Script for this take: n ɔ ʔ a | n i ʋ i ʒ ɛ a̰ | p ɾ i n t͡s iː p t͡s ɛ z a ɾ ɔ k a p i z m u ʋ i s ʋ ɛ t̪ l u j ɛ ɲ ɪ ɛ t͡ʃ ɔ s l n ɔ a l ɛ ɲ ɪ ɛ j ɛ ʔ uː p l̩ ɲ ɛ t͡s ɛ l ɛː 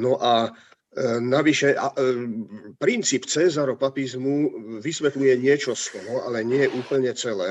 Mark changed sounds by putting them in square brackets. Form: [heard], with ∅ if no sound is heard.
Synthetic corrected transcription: n ɔ ʔ a | n [a] ʋ i [ʃ] ɛ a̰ | p ɾ i n t͡s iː p t͡s ɛ z a ɾ ɔ [p] a p i z m u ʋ i s ʋ ɛ t̪ l u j ɛ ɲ ɪ ɛ t͡ʃ ɔ s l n ɔ a l ɛ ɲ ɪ ɛ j ɛ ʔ uː p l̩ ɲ ɛ t͡s ɛ l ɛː